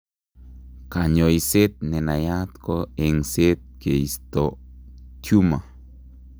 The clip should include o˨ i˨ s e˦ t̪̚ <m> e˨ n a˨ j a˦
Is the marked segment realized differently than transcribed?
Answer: yes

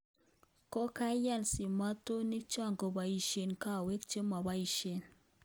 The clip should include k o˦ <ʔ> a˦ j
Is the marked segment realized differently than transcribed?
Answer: yes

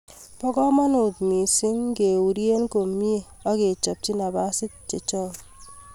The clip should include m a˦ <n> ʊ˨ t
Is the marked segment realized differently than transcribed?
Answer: no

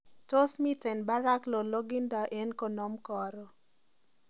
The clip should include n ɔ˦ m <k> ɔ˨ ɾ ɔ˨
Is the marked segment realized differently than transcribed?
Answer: no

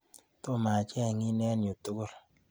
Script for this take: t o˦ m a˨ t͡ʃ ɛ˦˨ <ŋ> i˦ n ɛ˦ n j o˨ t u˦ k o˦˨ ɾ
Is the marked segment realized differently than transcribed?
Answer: no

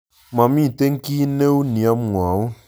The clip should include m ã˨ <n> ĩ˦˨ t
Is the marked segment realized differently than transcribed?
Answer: yes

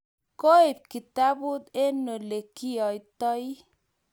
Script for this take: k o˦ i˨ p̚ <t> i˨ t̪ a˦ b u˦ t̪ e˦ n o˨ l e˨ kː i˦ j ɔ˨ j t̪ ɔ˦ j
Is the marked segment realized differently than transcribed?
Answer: yes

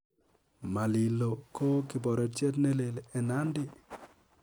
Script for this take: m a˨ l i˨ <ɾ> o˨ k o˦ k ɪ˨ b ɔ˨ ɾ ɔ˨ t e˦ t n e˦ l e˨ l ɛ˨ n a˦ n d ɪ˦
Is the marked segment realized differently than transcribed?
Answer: yes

